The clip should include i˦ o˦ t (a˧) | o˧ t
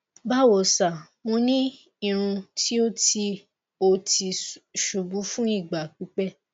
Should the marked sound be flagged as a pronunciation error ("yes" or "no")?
yes